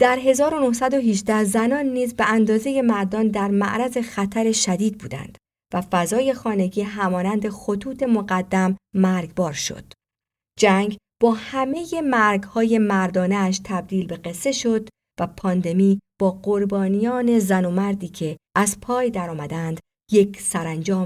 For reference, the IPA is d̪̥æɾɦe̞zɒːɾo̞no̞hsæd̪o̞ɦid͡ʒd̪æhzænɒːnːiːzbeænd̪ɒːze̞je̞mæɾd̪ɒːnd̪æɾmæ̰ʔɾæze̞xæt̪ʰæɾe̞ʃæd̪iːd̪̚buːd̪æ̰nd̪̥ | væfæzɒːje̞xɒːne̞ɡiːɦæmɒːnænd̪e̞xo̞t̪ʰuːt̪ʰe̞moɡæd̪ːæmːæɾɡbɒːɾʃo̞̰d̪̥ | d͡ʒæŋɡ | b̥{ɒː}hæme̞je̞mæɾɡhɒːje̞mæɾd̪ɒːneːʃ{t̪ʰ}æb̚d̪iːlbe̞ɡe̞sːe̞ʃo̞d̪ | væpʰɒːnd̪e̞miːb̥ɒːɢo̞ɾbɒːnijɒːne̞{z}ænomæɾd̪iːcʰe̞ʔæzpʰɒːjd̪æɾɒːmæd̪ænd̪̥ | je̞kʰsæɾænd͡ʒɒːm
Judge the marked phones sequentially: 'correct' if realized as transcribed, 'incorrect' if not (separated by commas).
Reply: correct, correct, correct